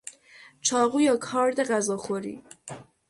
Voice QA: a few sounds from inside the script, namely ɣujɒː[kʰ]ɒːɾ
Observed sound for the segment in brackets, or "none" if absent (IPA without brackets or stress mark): kʰ